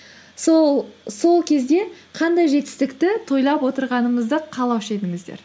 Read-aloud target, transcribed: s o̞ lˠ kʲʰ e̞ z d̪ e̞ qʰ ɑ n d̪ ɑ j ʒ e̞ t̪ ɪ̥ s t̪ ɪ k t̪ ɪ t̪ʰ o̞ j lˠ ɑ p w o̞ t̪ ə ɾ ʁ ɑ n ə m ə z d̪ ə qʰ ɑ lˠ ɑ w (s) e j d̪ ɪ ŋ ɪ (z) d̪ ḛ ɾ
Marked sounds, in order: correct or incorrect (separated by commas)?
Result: incorrect, correct